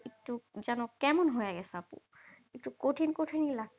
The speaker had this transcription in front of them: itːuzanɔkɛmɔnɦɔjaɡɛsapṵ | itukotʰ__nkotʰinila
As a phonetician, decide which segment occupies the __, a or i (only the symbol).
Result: i